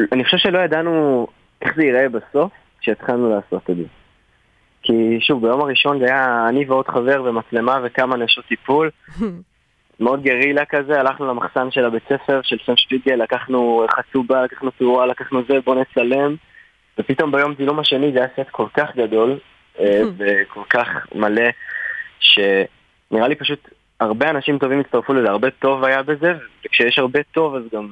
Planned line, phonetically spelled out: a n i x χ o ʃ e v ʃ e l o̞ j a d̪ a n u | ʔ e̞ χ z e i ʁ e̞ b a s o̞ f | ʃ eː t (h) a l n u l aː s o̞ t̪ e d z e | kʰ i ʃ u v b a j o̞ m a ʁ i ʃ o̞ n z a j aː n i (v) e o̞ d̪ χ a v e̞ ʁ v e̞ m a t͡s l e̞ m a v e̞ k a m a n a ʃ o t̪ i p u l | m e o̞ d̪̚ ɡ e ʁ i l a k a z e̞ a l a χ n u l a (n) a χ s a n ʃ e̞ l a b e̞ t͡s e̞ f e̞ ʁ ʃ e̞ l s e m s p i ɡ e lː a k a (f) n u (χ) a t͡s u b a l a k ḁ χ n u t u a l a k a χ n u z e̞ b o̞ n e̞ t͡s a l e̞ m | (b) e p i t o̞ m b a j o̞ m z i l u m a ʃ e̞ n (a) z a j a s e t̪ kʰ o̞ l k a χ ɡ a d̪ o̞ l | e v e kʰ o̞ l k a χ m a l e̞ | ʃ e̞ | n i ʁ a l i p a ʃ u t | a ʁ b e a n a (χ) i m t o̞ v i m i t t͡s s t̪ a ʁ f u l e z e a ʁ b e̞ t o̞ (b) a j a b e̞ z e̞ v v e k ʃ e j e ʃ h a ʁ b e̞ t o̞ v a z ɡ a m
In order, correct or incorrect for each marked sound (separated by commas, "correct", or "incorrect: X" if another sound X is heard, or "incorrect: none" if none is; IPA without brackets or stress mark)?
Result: incorrect: χ, correct, incorrect: m, incorrect: χ, correct, incorrect: v, incorrect: i, incorrect: ʃ, incorrect: v